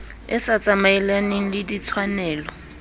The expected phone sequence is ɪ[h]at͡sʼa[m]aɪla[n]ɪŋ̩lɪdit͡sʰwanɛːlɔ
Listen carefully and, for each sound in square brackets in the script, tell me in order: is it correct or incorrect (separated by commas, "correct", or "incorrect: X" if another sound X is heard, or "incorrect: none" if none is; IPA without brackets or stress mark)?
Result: incorrect: s, correct, correct